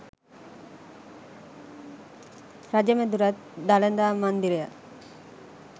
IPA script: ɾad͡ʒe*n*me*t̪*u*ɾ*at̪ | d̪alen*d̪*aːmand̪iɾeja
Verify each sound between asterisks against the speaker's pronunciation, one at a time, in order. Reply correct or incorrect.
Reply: incorrect, incorrect, correct, correct

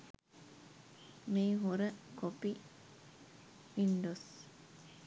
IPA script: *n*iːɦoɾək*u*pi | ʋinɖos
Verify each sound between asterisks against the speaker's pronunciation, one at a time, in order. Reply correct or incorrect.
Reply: incorrect, incorrect

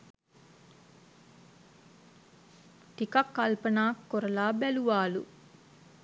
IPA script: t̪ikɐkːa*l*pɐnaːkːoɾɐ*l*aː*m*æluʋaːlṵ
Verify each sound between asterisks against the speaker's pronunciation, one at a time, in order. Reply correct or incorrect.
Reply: correct, correct, incorrect

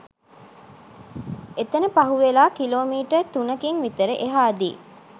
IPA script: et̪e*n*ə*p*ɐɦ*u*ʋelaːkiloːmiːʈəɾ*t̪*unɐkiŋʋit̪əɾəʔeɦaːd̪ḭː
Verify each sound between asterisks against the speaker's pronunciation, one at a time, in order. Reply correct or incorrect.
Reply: correct, correct, correct, correct

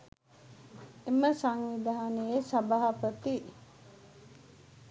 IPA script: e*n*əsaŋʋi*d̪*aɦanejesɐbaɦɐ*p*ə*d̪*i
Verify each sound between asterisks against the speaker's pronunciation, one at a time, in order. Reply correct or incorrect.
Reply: incorrect, correct, correct, incorrect

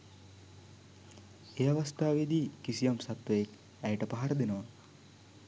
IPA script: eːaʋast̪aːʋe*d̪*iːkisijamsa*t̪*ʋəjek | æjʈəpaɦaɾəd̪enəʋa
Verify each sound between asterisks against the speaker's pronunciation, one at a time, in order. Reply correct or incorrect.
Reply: correct, correct

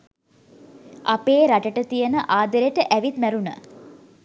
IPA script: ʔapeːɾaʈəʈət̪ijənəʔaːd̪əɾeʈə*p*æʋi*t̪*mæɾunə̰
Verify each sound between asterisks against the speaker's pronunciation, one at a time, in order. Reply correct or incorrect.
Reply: incorrect, correct

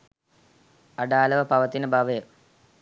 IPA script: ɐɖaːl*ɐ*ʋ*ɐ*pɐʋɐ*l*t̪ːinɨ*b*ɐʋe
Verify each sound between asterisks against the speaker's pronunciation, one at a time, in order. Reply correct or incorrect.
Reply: correct, correct, incorrect, correct

